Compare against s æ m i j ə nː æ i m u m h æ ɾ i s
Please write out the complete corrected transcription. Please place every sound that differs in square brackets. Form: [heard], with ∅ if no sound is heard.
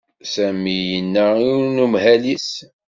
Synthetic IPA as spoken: s æ m i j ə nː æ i [n] u m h æ [l] i s